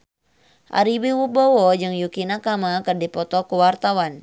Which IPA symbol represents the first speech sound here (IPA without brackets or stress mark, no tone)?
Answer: ʔ